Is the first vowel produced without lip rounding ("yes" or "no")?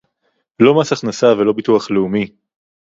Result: no